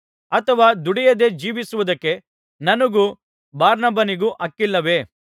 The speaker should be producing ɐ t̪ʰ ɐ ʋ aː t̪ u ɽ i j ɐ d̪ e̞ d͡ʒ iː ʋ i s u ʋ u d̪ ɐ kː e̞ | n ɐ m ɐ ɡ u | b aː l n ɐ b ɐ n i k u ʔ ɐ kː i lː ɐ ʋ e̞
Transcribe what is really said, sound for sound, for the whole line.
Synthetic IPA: ɐ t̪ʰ ɐ ʋ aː d̪ u ɽ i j ɐ d̪ e̞ d͡ʒ iː ʋ i s u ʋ u d̪ ɐ kː e̞ | n ɐ n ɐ ɡ u | b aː ɾ n ɐ b ɐ n i ɡ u ʔ ɐ kː i lː ɐ ʋ e̞